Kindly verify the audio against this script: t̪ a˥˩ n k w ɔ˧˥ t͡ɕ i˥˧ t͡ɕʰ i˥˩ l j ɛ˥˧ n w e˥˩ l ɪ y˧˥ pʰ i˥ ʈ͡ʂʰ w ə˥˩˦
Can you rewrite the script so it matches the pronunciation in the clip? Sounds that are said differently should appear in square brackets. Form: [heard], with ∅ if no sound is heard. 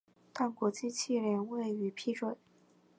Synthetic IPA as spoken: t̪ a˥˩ n k w ɔ˧˥ t͡ɕ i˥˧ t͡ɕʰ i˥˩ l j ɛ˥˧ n w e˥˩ [∅] ɪ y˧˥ pʰ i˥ [ʈ͡ʂ] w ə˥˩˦